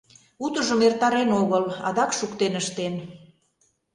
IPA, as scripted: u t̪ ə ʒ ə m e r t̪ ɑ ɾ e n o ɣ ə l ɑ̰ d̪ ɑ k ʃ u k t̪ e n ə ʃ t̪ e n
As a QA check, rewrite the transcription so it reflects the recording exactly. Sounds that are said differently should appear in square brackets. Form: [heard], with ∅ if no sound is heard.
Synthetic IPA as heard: u t̪ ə ʒ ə m e r t̪ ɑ ɾ e n o ɣ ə l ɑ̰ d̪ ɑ k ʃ u k t̪ e n ə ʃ t̪ e n